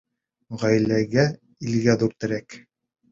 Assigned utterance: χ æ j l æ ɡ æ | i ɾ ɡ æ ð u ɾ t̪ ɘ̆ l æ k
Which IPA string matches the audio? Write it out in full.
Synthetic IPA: ʁ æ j l æ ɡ æ | i l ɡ æ ð u ɾ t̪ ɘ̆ ɾ æ k